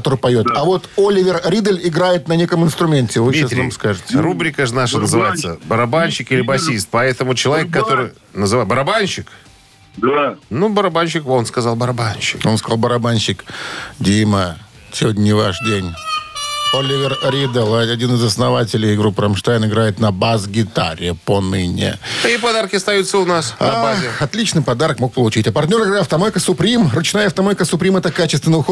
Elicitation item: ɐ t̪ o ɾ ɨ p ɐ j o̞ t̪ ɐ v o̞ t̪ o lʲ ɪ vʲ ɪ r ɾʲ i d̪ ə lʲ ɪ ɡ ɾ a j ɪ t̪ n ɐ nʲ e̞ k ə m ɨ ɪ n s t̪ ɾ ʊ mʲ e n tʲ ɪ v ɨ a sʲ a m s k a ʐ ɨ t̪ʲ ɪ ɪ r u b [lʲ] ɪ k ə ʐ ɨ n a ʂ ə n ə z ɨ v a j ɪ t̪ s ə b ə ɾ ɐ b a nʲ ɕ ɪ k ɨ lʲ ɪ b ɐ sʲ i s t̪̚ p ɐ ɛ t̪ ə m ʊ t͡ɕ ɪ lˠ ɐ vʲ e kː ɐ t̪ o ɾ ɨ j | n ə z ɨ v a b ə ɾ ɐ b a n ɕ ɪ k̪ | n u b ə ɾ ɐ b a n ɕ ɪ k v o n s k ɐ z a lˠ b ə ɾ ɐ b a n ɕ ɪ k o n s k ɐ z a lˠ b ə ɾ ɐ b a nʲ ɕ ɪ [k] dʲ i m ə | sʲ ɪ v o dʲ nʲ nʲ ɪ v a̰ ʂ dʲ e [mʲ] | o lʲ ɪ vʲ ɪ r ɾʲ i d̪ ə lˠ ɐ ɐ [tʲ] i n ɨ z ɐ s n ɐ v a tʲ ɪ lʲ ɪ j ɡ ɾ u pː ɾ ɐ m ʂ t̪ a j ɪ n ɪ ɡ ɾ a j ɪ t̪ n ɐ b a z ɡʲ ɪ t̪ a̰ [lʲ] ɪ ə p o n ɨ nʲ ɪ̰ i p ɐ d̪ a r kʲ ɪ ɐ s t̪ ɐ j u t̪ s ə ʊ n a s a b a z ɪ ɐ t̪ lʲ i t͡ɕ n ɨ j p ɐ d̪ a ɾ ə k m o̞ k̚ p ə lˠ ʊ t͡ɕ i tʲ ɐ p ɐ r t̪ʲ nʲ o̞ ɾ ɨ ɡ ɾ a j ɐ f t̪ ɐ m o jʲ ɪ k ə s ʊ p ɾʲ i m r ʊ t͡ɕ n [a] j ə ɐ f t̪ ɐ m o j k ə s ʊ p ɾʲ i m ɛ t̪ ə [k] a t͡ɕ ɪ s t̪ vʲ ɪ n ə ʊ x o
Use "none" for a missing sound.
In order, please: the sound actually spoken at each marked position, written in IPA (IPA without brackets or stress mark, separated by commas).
ɾʲ, k, nʲ, dʲ, ɾʲ, a, k